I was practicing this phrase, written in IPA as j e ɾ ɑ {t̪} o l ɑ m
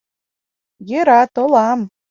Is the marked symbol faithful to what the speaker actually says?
yes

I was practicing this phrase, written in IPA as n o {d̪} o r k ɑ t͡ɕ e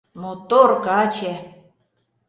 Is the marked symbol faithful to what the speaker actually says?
no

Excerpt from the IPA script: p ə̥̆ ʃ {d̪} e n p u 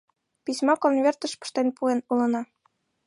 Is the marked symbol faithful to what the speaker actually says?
no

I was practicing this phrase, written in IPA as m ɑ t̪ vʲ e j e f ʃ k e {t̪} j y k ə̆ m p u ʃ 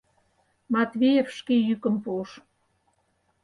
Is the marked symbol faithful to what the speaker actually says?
no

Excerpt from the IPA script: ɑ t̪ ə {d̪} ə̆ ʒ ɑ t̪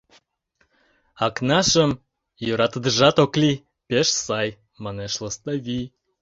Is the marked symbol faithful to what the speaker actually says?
yes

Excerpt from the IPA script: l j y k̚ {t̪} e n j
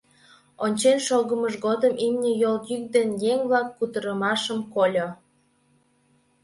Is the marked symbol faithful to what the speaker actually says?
no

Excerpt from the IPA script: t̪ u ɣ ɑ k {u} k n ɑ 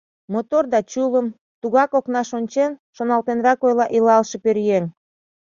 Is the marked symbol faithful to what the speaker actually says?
no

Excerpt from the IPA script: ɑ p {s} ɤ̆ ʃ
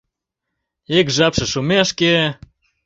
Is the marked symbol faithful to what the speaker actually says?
no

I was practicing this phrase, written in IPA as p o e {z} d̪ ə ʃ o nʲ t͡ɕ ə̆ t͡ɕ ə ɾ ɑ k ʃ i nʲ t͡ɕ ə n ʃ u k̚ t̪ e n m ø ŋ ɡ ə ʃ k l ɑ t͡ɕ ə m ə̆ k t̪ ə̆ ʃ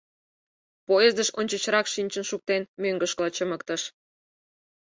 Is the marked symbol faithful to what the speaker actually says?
yes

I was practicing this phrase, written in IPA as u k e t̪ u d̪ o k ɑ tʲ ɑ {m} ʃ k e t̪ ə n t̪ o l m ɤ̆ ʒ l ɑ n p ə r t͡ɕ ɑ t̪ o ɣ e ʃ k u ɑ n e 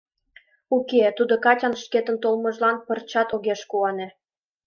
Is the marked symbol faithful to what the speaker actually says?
no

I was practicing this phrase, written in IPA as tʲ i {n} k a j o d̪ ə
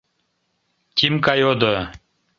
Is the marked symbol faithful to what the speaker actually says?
no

